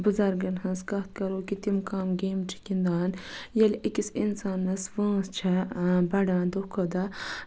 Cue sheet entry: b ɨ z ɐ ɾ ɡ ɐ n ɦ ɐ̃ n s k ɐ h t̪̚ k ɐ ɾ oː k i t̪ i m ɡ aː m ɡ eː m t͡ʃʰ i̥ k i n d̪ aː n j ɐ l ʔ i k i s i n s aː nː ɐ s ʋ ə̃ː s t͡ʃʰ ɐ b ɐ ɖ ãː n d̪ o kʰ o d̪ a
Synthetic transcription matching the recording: b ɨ z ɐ ɾ ɡ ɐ n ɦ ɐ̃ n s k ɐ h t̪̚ k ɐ ɾ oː k i t̪ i m k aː m ɡ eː m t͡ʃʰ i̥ k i n d̪ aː n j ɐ l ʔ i k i s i n s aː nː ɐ s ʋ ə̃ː s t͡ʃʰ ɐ b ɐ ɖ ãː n d̪ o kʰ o d̪ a